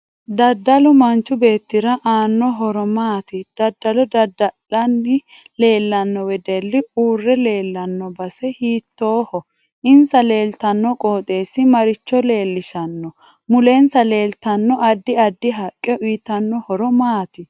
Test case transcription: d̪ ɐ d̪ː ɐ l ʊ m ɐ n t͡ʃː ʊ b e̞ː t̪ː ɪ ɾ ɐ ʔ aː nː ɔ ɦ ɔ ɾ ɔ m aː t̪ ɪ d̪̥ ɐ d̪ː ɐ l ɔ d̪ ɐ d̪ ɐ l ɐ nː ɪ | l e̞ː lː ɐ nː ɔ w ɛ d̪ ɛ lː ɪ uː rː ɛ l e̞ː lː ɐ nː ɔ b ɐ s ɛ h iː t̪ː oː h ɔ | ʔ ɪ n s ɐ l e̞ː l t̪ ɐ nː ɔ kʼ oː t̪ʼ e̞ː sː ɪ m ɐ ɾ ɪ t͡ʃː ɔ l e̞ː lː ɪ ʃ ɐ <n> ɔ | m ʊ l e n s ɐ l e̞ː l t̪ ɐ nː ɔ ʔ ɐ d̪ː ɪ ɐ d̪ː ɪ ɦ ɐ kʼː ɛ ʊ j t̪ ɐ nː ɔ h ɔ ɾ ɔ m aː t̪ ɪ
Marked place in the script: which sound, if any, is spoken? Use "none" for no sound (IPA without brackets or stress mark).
nː